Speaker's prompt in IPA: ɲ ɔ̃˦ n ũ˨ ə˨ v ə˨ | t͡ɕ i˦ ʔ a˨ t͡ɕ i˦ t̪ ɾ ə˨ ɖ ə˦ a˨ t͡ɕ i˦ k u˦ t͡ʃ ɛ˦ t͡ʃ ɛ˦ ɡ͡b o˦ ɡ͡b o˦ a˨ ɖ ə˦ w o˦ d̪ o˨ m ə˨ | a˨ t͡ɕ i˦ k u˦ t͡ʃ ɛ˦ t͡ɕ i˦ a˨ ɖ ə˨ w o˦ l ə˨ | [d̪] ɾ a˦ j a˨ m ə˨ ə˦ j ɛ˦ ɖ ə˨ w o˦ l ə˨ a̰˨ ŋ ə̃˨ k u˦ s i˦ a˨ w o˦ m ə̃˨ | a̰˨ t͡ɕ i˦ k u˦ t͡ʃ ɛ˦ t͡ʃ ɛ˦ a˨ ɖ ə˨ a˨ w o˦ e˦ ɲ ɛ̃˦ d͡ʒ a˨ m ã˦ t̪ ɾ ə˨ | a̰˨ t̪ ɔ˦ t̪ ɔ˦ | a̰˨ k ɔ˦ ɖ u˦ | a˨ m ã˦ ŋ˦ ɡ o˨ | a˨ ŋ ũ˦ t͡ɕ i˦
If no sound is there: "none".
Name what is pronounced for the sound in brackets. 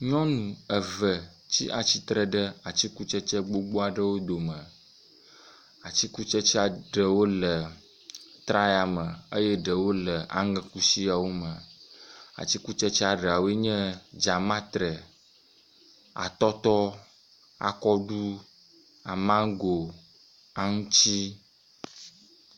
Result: t̪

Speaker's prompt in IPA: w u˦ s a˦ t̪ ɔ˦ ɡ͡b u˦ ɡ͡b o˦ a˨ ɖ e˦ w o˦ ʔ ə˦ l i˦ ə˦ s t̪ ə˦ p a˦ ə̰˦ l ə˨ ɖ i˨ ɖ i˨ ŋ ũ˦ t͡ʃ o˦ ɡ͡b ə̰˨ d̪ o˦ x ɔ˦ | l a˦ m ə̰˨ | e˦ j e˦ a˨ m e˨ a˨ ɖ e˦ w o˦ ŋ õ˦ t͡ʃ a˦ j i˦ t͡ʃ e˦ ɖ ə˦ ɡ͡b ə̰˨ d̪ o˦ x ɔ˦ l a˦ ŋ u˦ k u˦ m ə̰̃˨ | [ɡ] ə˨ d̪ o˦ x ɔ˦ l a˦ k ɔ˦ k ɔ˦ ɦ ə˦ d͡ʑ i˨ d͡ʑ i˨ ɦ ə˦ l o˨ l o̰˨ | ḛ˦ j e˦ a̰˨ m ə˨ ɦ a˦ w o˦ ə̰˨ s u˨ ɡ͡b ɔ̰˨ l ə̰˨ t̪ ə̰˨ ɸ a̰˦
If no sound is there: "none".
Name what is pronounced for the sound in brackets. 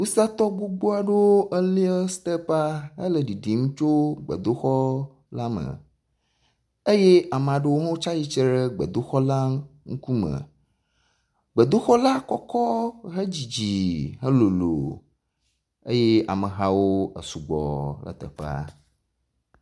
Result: ɡ͡b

